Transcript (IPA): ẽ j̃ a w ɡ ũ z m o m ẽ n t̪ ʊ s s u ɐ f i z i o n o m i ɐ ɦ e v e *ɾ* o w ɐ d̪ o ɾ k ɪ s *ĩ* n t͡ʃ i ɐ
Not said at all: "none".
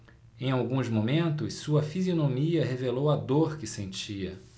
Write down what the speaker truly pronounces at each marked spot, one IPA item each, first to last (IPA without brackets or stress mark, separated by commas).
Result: l, ẽ